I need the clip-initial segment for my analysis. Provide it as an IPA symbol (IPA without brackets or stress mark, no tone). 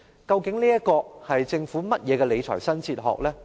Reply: k